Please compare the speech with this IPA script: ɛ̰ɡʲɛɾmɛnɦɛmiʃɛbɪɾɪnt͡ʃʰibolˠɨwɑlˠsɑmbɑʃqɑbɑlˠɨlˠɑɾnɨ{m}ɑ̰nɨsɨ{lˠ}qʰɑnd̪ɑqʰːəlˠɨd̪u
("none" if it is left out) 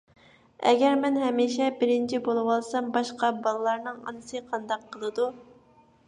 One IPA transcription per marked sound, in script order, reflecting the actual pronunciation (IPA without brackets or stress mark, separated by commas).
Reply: ŋ, none